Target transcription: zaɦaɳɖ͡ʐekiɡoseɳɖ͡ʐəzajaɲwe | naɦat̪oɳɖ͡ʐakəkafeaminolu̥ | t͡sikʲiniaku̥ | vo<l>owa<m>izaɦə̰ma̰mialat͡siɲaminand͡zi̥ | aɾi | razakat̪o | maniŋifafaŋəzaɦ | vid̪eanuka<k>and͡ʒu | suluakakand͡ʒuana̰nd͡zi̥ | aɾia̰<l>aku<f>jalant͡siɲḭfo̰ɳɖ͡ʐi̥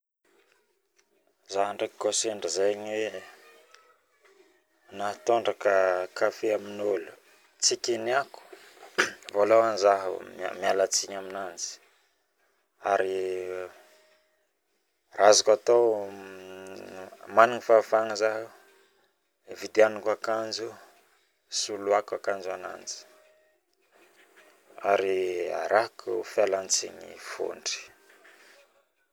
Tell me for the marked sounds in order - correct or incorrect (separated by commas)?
correct, incorrect, correct, incorrect, correct